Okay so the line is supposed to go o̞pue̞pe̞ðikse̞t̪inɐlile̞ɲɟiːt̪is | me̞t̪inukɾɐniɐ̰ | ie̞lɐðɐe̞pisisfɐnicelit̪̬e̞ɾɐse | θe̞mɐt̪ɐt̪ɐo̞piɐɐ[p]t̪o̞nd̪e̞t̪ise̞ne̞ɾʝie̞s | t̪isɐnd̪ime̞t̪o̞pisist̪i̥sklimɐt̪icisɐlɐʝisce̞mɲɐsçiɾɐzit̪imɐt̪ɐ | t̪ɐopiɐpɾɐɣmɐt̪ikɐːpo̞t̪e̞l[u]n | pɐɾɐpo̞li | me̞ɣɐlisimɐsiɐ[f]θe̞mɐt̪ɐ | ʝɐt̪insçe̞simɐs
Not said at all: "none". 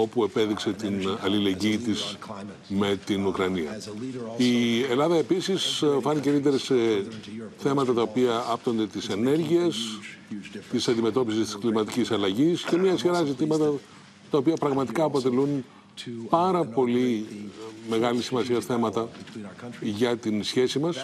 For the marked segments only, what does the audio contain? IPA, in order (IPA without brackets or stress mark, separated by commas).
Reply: p, u, s